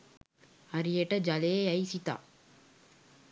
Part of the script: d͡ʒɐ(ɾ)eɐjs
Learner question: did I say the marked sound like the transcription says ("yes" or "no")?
no